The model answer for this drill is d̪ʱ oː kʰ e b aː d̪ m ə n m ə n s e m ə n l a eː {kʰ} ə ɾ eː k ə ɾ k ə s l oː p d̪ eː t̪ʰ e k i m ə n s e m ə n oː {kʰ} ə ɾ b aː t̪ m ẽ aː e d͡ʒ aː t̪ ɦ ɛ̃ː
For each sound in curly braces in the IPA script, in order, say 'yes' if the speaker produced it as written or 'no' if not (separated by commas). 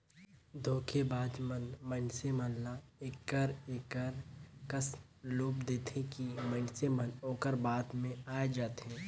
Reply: no, no